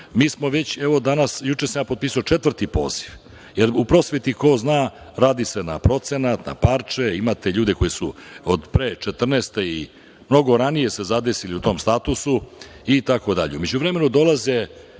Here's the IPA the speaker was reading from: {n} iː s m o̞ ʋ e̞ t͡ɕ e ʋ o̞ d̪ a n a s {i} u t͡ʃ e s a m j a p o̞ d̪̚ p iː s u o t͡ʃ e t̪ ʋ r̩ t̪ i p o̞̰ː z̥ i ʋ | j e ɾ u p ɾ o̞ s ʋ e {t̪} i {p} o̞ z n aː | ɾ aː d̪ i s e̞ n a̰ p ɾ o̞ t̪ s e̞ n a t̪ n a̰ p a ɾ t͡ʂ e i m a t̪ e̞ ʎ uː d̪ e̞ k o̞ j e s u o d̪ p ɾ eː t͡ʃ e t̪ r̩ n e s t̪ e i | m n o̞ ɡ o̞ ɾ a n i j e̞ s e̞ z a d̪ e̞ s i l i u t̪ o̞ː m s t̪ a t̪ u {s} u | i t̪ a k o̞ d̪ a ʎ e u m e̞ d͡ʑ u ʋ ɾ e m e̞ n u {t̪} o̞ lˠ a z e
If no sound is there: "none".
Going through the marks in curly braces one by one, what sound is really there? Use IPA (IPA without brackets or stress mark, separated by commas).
m, j, t̪, k, s, d̪